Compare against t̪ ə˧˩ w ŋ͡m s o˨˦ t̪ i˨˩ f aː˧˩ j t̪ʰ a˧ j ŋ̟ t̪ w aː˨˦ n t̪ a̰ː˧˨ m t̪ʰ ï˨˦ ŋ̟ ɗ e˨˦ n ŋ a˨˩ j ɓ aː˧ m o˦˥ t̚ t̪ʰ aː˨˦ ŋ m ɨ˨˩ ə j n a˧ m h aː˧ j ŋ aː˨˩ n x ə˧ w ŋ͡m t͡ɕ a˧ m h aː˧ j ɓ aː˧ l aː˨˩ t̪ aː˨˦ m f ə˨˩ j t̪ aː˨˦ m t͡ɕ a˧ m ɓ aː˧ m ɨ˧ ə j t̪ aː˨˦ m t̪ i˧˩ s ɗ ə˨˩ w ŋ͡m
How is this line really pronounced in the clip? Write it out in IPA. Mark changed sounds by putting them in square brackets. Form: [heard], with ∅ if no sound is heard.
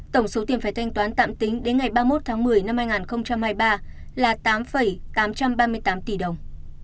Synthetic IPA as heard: t̪ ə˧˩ w ŋ͡m s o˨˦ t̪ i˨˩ f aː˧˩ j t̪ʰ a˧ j ŋ̟ t̪ w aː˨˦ n t̪ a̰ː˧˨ m [t̪] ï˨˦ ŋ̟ ɗ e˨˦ n ŋ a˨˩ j ɓ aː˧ m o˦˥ t̚ t̪ʰ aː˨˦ ŋ m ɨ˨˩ ə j n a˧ m h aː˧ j ŋ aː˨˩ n x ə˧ w ŋ͡m t͡ɕ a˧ m h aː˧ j ɓ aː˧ l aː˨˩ t̪ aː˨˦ m f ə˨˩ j t̪ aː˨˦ m t͡ɕ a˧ m ɓ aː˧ m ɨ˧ ə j t̪ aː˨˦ m t̪ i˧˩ [∅] ɗ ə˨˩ w ŋ͡m